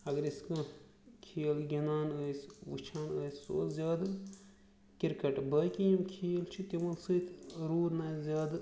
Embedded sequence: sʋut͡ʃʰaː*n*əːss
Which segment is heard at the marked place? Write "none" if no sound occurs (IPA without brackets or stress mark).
n